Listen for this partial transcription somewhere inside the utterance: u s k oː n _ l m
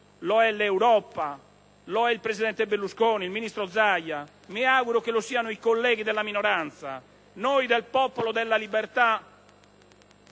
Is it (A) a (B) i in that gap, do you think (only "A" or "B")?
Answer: B